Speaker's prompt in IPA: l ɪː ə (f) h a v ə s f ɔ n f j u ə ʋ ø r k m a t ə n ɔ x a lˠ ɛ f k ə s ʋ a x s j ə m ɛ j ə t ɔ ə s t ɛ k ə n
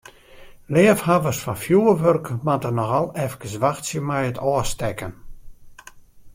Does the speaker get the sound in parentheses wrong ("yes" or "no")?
no